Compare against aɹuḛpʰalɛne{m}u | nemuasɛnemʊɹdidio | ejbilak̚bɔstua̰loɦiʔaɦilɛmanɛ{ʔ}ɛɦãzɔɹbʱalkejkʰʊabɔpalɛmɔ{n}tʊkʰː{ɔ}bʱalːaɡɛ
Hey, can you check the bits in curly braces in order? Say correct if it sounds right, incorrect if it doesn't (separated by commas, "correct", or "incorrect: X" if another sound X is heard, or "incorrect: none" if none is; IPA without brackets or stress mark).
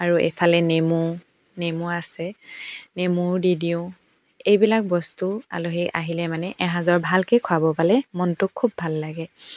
correct, correct, correct, incorrect: u